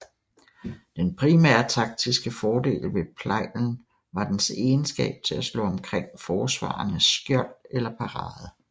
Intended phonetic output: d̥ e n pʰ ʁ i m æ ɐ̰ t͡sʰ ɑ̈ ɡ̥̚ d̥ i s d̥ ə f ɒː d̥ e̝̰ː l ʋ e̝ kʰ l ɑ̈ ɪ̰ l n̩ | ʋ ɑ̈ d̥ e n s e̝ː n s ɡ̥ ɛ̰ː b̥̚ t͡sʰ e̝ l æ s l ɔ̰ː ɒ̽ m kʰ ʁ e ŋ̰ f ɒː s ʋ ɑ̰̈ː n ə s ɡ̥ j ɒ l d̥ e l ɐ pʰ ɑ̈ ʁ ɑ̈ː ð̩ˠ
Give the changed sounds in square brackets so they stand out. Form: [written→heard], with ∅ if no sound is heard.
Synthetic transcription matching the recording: d̥ e n pʰ ʁ i m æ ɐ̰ t͡sʰ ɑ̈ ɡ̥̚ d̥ i s [d̥→ɡ̥] ə f ɒː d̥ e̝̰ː l ʋ e̝ [kʰ→pʰ] l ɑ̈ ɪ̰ l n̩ | ʋ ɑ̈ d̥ e n s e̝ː n s ɡ̥ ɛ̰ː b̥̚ t͡sʰ e̝ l æ s l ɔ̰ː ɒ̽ m kʰ ʁ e ŋ̰ f ɒː s ʋ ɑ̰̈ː n ə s ɡ̥ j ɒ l d̥ e l ɐ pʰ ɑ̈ ʁ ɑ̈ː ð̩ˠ